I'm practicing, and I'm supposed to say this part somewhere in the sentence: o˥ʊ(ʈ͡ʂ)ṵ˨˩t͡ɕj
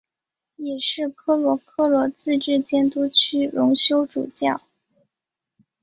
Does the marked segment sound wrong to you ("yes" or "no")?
no